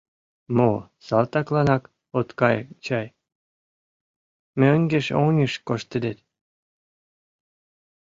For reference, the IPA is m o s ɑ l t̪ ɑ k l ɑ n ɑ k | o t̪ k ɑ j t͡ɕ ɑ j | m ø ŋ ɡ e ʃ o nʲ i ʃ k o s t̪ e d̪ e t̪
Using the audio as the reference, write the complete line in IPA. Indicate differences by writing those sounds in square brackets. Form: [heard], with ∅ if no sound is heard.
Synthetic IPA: m o s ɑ l t̪ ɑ k l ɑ n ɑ k | o t̪ k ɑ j t͡ɕ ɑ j | m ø ŋ ɡ e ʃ o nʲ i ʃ k o [ʃ] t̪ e d̪ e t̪